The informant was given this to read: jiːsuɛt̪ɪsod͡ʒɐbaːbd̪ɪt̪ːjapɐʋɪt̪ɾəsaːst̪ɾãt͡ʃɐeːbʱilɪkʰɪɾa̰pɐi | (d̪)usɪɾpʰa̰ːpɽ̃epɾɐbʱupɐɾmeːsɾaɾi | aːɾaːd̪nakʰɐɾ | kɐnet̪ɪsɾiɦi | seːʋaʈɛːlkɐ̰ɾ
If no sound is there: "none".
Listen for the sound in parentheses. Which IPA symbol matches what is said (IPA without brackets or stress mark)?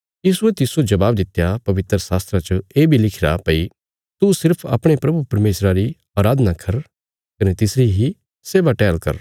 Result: t̪